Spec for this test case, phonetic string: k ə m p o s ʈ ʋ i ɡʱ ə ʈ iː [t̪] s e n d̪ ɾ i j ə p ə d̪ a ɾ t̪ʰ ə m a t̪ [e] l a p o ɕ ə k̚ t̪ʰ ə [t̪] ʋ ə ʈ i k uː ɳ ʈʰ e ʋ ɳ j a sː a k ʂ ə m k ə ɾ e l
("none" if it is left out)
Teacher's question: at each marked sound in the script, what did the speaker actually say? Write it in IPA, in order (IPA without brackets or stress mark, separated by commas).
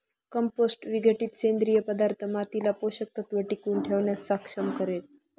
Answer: t̪, i, t̪